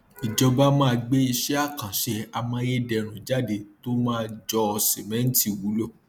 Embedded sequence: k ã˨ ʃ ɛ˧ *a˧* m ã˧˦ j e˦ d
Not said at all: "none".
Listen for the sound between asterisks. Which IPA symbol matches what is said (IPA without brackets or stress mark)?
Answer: a˧